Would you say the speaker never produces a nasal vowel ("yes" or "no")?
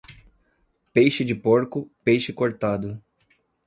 yes